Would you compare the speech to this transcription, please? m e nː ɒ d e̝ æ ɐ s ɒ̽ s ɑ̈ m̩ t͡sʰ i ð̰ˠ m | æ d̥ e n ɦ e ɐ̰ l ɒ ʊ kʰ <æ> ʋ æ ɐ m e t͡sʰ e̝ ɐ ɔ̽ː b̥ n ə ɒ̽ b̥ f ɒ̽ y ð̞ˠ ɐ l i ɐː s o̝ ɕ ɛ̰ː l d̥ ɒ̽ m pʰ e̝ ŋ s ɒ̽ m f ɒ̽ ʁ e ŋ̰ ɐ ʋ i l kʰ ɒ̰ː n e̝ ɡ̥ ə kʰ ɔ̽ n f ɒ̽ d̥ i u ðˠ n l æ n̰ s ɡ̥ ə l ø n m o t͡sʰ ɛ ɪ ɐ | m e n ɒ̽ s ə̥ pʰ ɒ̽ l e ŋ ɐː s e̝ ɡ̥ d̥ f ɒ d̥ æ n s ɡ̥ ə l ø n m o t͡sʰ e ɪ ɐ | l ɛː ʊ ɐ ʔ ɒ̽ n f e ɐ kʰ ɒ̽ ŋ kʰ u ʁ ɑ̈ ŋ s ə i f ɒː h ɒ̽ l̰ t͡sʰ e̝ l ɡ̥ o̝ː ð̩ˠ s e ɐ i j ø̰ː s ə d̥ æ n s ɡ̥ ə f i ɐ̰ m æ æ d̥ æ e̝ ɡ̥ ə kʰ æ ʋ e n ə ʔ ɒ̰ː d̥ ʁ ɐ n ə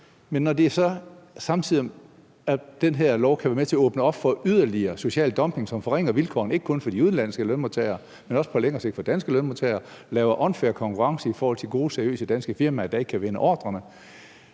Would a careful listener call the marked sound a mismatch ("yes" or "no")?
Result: no